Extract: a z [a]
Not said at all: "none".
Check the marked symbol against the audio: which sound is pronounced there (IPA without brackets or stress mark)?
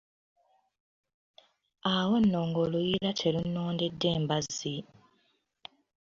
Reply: i